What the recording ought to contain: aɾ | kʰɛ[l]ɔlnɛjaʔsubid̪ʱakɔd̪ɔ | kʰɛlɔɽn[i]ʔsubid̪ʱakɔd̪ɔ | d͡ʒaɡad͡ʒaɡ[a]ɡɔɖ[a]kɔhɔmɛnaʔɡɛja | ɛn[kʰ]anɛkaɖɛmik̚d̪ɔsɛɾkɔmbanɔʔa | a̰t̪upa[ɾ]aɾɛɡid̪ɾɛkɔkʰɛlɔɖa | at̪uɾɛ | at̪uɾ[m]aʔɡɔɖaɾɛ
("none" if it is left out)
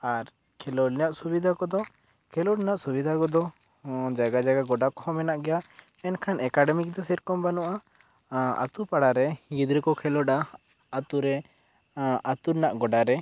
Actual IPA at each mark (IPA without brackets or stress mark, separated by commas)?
l, a, a, a, kʰ, ɽ, n